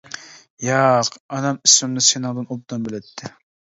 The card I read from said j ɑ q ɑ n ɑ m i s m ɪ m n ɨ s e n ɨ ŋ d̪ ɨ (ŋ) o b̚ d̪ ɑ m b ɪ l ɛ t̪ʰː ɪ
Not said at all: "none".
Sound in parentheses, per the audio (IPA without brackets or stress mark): n